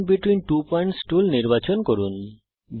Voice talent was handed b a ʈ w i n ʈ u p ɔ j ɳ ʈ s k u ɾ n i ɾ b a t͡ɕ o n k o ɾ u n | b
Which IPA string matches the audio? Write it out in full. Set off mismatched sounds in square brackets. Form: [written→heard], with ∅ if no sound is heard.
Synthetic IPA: b [a→i] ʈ w i n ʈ u p ɔ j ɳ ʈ s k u [ɾ→l] n i ɾ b a t͡ɕ o n k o ɾ u n | b